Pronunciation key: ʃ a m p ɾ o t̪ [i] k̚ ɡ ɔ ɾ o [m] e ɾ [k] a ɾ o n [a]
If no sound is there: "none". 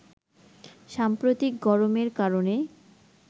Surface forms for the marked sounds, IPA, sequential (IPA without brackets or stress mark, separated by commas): i, m, k, e